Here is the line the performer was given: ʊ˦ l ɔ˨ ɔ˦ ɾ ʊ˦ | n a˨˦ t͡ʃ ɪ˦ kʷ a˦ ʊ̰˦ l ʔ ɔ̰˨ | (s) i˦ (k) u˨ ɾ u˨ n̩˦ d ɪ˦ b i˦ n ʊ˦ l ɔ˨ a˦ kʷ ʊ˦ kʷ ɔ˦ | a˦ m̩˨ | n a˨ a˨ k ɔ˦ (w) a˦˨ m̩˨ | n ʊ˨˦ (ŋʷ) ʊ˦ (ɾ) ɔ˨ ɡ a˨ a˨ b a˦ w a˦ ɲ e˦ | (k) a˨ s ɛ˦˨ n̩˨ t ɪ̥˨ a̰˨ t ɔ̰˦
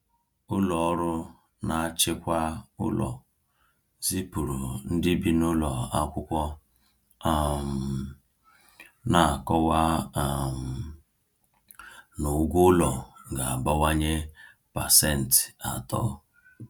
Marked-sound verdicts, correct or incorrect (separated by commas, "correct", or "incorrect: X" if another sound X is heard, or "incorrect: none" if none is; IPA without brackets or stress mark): incorrect: z, incorrect: p, correct, incorrect: ɡʷ, incorrect: l, incorrect: p